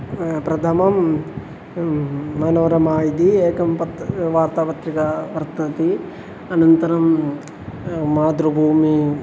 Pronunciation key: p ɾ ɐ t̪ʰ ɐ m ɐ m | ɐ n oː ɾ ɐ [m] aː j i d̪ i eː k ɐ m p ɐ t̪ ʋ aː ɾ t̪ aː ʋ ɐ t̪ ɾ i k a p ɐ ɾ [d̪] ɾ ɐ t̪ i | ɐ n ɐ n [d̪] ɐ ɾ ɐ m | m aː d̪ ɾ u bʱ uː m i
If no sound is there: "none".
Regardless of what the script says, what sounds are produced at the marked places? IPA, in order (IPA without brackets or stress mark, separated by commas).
m, t̪, t̪